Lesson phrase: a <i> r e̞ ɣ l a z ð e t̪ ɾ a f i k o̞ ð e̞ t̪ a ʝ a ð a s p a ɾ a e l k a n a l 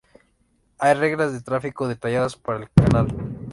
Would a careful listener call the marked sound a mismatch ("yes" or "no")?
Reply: yes